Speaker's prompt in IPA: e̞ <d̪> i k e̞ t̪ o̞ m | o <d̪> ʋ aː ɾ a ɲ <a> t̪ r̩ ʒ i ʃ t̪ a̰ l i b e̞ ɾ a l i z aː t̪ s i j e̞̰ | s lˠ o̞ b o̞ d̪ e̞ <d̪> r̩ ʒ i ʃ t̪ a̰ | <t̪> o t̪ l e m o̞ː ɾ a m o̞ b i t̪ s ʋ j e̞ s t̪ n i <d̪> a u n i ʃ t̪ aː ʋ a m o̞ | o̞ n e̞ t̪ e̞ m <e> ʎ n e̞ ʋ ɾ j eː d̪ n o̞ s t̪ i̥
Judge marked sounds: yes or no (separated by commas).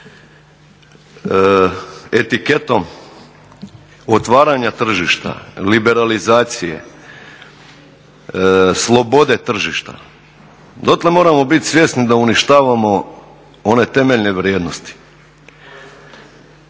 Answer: no, no, yes, no, no, yes, yes